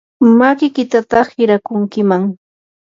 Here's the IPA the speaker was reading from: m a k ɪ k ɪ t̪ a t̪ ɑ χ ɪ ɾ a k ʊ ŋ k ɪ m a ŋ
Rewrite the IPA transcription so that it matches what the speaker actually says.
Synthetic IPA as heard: m a k ɪ k ɪ t̪ a t̪ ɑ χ ɪ ɾ a k ʊ ŋ k ɪ m a ŋ